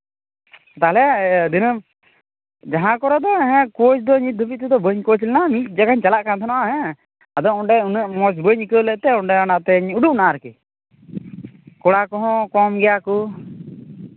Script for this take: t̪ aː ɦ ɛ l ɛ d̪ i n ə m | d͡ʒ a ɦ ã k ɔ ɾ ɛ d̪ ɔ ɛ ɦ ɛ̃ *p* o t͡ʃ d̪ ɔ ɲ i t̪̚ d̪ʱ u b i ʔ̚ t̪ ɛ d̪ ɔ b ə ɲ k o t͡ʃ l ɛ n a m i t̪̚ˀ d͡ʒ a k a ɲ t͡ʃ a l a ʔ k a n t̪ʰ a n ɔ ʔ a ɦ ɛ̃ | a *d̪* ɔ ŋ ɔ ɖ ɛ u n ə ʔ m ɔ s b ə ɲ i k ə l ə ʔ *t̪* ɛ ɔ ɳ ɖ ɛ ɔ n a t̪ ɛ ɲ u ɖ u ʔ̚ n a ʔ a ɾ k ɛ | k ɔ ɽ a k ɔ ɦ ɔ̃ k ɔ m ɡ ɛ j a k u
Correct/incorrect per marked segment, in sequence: incorrect: k, correct, correct

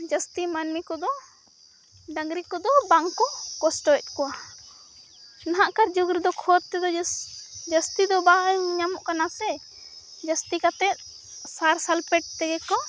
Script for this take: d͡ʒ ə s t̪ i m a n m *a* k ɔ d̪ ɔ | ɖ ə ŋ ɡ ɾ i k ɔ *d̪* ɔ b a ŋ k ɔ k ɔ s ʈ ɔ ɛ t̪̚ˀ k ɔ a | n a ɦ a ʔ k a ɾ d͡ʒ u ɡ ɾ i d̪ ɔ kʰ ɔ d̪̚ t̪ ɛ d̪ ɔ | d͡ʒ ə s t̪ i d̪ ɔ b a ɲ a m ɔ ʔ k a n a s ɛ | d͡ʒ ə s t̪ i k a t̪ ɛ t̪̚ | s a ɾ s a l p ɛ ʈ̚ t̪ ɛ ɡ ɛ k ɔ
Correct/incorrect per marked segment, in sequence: incorrect: i, correct

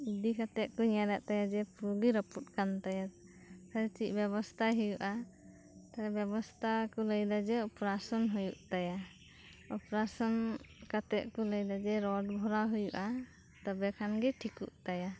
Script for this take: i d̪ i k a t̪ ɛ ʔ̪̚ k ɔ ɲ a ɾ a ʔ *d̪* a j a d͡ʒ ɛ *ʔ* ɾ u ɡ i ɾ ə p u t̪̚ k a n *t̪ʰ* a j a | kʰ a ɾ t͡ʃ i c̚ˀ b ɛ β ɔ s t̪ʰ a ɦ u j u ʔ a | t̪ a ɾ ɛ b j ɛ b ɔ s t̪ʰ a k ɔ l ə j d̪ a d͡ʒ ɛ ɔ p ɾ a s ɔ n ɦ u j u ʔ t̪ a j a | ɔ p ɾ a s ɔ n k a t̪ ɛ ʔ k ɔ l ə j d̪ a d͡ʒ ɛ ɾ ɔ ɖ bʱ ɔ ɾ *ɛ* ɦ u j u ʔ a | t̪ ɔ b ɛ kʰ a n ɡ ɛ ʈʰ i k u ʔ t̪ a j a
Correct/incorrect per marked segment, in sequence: incorrect: t̪, incorrect: p, incorrect: t̪, incorrect: a

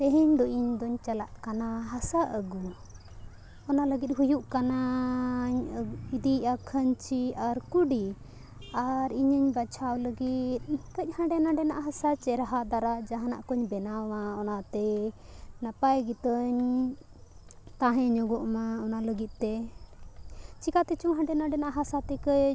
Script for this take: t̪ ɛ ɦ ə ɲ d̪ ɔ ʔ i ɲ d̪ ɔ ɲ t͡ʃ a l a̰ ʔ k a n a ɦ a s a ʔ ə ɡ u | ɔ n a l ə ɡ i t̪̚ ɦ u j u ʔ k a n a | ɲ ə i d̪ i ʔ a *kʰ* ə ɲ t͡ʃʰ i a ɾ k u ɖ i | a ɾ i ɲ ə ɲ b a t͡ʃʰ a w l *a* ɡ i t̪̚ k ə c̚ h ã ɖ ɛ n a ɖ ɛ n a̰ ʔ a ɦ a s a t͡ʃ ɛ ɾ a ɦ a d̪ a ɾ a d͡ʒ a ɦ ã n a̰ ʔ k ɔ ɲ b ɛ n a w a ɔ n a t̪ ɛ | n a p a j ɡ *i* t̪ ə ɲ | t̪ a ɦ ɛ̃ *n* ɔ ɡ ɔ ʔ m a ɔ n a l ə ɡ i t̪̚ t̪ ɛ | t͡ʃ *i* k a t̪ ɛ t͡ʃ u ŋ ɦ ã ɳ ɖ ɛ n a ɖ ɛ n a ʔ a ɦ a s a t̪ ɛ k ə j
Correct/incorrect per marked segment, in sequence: correct, incorrect: ə, correct, incorrect: ɲ, correct

